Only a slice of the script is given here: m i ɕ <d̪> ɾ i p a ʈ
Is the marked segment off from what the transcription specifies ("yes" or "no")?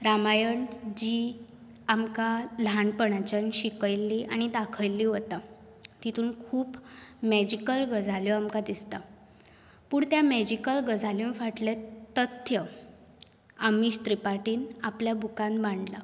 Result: yes